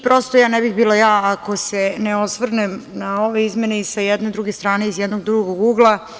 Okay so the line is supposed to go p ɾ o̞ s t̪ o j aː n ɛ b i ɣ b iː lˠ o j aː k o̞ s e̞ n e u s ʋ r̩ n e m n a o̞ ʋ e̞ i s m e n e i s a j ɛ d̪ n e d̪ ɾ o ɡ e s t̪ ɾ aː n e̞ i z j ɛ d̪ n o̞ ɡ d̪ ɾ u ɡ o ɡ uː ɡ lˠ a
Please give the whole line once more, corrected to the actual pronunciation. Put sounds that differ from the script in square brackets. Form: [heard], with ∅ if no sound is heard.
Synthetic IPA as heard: p ɾ o̞ s t̪ o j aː n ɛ b i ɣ b iː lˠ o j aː k o̞ s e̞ n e [o] s ʋ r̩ n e m n a o̞ ʋ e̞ i [z] m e n e i s a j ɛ d̪ n e d̪ ɾ [u] ɡ e s t̪ ɾ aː n e̞ i z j ɛ d̪ n o̞ ɡ d̪ ɾ u ɡ o ɡ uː ɡ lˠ a